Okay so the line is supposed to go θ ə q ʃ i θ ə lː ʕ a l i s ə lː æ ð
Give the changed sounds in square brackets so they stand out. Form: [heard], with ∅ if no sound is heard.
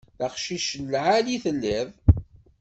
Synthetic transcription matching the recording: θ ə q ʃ i [ʃ] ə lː ʕ a l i [θ] ə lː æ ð